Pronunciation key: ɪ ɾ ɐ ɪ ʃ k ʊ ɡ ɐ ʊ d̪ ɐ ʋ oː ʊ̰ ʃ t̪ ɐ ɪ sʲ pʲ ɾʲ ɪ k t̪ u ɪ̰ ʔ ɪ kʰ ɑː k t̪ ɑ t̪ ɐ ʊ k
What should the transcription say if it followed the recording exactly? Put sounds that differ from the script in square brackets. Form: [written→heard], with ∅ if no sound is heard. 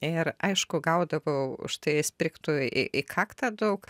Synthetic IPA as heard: ɪ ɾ ɐ ɪ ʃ k ʊ ɡ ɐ ʊ d̪ ɐ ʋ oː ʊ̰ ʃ t̪ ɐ ɪ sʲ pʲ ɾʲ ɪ k t̪ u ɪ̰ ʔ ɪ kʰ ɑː k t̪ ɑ [t̪→d̪] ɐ ʊ k